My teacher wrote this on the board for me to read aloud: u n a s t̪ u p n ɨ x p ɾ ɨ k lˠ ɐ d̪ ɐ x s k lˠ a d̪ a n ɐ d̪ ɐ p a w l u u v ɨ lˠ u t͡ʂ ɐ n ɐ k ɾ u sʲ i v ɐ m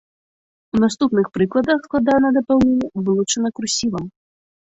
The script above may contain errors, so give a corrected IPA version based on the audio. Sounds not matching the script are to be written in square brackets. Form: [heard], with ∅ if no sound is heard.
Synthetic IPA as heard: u n a s t̪ u p n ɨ x p ɾ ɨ k lˠ ɐ d̪ ɐ x s k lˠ a d̪ a n ɐ d̪ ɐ p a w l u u v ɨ lˠ u t͡ʂ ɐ n ɐ k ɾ u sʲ i v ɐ m